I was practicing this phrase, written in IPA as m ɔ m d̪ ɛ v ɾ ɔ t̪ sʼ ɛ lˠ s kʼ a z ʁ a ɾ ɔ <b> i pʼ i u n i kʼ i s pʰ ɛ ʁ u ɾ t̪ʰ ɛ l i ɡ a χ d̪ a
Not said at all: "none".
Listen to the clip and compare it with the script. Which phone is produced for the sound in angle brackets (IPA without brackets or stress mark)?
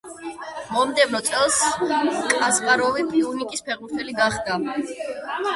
v